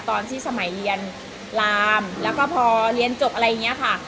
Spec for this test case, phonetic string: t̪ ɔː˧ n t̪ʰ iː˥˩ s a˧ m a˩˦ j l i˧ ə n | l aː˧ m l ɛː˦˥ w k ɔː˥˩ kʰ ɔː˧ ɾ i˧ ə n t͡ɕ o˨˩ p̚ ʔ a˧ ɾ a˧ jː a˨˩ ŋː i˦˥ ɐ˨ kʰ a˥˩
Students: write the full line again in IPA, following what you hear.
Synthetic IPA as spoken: t̪ ɔː˧ n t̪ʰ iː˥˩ s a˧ m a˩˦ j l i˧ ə n | l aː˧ m l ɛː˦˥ w k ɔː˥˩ pʰ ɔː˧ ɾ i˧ ə n t͡ɕ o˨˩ p̚ ʔ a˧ ɾ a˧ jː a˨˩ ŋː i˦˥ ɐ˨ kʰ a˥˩